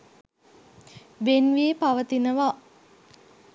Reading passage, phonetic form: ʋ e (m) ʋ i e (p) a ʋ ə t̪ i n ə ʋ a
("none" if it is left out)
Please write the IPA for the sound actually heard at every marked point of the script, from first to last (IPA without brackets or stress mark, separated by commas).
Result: n, p